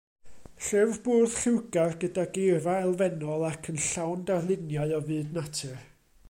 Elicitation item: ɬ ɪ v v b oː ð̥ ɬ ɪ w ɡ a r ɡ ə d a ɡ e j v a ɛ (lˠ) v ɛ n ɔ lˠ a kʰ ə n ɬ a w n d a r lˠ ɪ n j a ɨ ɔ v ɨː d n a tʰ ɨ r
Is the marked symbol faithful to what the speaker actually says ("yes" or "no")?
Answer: yes